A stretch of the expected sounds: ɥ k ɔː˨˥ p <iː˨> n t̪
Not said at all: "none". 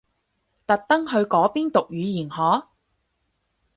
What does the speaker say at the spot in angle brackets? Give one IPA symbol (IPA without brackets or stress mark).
iː˥